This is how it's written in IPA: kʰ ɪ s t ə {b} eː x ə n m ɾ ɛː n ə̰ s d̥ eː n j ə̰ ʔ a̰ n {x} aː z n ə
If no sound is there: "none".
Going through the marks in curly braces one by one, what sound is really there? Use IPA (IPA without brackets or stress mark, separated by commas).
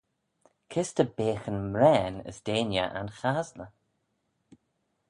b, x